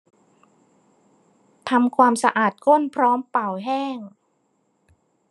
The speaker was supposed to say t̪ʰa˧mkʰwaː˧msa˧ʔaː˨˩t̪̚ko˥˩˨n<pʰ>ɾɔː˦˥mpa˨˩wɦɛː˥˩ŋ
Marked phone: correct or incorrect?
correct